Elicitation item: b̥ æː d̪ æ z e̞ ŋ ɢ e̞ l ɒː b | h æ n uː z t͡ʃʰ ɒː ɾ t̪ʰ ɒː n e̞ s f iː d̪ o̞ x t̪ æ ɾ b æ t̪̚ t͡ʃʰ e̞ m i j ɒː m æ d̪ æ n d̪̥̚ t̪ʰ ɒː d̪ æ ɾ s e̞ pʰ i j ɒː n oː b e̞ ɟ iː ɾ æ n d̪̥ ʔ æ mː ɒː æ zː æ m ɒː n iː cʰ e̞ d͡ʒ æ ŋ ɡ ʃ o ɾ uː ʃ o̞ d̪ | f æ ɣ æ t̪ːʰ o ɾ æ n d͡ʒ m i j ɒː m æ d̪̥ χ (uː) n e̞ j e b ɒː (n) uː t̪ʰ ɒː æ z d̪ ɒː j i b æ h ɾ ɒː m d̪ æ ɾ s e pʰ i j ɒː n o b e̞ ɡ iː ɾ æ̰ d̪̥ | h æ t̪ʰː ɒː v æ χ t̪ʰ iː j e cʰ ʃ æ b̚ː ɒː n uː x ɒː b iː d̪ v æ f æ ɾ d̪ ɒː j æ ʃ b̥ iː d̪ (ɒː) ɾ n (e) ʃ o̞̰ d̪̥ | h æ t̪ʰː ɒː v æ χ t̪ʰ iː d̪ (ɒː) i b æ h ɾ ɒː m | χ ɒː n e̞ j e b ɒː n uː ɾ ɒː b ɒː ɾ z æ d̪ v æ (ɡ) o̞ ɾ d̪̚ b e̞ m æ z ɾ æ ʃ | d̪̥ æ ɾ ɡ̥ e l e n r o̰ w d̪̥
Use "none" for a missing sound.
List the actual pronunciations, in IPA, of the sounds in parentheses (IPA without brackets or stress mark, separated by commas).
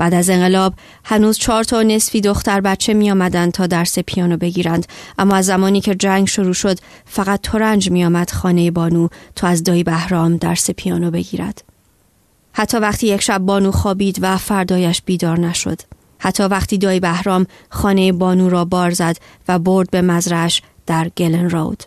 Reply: ɒː, n, ɒː, æ, ɒː, b